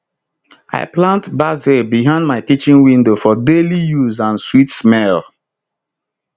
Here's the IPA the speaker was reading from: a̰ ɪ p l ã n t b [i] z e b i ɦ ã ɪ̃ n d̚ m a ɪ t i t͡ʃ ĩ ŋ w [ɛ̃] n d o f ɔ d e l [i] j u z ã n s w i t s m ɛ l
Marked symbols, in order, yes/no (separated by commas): no, no, yes